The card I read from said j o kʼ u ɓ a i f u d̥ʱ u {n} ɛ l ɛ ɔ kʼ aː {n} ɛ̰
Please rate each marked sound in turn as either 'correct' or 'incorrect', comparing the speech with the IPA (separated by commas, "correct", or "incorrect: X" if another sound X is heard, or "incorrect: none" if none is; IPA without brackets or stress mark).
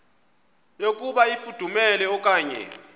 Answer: incorrect: m, incorrect: ɲ